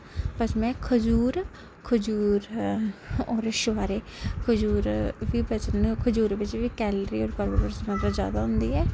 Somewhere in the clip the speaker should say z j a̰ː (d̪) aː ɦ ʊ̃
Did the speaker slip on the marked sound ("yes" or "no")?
no